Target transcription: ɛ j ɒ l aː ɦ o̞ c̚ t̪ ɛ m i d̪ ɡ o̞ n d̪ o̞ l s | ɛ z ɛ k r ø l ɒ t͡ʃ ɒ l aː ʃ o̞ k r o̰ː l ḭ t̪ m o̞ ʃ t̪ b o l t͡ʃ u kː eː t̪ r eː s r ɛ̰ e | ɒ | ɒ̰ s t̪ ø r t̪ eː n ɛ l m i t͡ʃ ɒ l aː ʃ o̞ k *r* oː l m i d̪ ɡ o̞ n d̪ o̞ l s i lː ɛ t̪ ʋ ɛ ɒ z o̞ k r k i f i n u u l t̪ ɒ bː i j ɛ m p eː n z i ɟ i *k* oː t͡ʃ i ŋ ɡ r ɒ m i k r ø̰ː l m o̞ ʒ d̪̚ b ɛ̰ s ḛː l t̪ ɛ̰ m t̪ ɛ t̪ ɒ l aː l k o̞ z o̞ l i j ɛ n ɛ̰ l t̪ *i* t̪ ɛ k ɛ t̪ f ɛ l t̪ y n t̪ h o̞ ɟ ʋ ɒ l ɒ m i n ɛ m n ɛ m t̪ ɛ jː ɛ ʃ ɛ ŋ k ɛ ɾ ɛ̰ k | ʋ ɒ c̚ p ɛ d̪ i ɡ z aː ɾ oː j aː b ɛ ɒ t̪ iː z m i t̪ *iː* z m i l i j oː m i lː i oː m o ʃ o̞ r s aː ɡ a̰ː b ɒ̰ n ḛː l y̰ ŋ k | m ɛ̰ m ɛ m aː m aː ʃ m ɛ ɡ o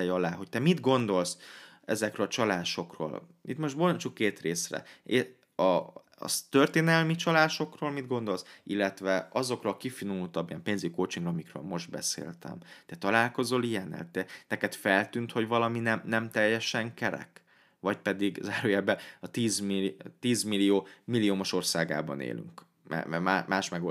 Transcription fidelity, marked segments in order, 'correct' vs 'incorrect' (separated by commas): correct, correct, incorrect, correct